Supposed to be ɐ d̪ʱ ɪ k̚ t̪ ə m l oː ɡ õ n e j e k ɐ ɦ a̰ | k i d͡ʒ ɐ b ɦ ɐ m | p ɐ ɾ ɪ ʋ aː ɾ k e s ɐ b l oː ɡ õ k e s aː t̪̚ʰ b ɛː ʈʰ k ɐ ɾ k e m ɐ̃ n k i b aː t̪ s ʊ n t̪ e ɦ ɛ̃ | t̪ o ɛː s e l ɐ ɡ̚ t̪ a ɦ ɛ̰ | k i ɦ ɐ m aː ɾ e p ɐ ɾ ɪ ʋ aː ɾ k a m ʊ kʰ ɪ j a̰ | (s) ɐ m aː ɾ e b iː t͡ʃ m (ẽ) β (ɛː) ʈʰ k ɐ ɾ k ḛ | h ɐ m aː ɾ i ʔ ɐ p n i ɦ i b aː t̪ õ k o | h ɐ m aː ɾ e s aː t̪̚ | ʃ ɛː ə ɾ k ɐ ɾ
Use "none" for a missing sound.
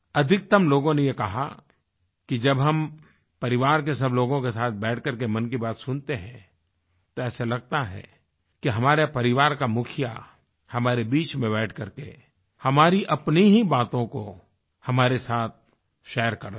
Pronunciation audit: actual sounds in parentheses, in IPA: h, ẽ, ɛː

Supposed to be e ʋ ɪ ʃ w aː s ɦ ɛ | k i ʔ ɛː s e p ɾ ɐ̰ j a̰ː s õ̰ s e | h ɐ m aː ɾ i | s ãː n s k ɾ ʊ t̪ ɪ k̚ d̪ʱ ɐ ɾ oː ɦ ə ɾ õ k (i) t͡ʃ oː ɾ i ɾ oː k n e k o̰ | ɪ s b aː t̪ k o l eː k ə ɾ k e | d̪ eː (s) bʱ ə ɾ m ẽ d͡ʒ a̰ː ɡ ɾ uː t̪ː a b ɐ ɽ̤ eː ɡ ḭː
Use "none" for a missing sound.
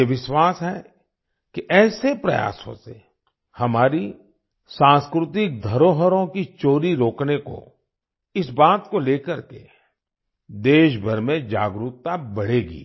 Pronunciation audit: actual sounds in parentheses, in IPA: i, ʃ

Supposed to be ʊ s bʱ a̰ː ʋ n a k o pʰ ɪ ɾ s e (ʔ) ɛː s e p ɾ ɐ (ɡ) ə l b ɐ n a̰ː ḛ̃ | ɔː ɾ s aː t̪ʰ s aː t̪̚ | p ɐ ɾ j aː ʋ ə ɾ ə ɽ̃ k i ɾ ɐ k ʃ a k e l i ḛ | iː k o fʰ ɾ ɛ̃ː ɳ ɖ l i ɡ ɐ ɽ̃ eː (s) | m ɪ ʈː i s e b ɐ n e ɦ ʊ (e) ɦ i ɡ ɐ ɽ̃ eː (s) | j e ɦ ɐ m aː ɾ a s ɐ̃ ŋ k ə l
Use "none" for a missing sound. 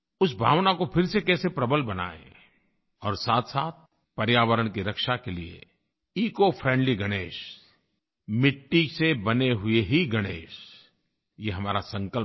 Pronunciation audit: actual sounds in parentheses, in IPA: k, b, ʃ, e, ʃ

